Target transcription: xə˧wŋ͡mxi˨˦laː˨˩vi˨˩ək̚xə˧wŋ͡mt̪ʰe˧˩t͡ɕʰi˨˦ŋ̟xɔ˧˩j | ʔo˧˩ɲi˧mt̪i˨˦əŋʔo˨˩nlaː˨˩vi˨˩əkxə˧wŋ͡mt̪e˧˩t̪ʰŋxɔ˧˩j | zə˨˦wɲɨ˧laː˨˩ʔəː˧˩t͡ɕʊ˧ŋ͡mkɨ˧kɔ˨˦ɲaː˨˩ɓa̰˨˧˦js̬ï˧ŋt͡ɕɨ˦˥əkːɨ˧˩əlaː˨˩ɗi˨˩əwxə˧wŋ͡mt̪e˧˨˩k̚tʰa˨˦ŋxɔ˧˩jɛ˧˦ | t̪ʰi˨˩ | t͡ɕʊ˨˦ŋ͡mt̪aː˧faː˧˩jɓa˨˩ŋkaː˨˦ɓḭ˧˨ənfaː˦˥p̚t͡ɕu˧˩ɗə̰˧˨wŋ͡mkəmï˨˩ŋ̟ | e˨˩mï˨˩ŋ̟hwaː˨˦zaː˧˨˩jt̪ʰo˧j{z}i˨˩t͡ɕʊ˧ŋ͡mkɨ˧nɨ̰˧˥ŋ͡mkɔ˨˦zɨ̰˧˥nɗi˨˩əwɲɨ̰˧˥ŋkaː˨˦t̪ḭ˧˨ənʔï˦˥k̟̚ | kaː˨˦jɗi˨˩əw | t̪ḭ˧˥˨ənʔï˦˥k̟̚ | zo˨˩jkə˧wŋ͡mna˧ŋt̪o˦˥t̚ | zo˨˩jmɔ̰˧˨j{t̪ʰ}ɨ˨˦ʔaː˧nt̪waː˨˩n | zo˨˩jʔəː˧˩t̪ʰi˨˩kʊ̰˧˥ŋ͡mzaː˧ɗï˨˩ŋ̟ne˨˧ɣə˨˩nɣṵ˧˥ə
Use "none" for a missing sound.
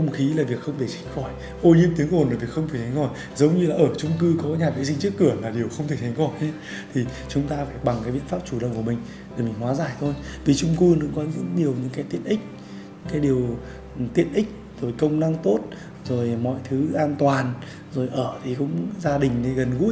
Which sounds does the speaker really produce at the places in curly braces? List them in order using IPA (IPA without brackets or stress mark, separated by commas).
v, t̪ʰ